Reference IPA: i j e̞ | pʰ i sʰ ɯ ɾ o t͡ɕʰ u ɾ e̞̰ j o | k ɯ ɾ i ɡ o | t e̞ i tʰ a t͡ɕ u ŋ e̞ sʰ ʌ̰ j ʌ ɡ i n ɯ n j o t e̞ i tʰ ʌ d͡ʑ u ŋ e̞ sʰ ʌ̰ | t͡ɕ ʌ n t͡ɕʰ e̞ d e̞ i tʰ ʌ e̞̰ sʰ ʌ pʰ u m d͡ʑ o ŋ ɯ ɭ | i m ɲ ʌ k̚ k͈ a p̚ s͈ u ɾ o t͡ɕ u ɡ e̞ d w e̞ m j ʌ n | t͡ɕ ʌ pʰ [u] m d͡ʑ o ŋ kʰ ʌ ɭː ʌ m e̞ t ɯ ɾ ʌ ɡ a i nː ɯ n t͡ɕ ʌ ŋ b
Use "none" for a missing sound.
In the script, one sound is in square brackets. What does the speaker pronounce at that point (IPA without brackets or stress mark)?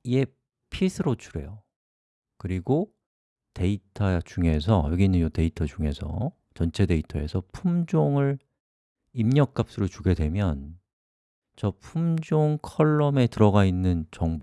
u